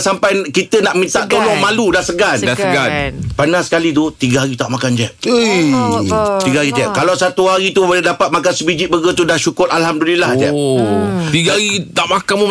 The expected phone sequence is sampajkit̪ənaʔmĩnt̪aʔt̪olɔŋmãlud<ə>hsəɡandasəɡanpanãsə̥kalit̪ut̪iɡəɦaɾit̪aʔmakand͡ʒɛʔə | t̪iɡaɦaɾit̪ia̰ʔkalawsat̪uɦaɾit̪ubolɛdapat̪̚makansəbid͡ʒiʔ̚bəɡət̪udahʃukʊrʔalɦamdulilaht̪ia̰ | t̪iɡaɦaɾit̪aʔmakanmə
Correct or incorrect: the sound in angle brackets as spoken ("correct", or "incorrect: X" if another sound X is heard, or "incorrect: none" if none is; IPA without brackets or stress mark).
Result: incorrect: a